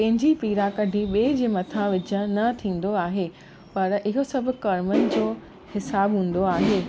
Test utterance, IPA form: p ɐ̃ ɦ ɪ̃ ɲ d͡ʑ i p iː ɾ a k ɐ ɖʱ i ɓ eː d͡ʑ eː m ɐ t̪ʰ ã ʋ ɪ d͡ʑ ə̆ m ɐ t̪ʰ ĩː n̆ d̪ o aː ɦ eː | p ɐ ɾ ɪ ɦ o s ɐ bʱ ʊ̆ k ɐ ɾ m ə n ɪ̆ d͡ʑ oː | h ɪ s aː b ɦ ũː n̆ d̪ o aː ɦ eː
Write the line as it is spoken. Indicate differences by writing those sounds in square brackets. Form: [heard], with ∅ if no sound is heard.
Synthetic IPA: p ɐ̃ ɦ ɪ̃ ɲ d͡ʑ i p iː ɾ a k ɐ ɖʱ i ɓ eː d͡ʑ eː m ɐ t̪ʰ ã ʋ ɪ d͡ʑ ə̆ [n] ɐ t̪ʰ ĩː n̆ d̪ o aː ɦ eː | p ɐ ɾ ɪ ɦ o s ɐ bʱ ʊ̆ k ɐ ɾ m ə n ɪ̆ d͡ʑ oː | h ɪ s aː b ɦ ũː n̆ d̪ o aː ɦ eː